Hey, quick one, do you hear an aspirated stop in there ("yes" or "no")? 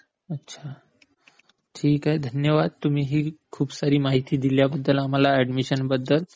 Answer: yes